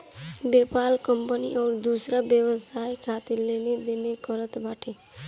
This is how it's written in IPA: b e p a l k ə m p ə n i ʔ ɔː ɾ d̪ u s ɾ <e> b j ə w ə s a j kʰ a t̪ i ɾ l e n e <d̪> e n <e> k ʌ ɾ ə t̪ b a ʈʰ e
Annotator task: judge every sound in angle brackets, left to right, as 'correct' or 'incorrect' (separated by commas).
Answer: incorrect, correct, correct